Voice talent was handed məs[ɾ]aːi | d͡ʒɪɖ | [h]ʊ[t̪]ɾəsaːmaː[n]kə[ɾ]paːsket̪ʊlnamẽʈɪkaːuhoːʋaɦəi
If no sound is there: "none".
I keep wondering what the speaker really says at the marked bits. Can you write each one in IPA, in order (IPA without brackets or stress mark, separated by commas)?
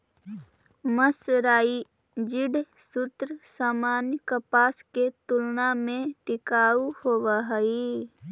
ɾ, s, t̪, n, none